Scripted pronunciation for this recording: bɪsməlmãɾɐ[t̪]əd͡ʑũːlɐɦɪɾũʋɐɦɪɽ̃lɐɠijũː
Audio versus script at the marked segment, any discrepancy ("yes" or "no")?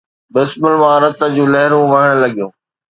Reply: no